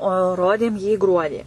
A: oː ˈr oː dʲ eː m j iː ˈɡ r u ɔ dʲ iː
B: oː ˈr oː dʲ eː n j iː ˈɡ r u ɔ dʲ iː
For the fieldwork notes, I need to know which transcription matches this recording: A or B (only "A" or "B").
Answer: A